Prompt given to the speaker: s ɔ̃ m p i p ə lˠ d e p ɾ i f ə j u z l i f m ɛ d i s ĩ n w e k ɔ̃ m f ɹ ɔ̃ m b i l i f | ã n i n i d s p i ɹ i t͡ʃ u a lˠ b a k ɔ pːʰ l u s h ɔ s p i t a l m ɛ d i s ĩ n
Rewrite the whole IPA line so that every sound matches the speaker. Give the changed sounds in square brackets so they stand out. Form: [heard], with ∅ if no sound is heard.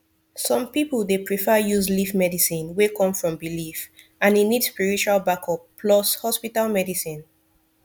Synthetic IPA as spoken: s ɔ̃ m p i p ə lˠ d e p [ɹ] i f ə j u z l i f m ɛ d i s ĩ n w e k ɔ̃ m f ɹ ɔ̃ m b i l i f | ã n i n i d s p i ɹ i t͡ʃ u a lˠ b a k ɔ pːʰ l [ɔ] s h ɔ s p i t a l m ɛ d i s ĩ n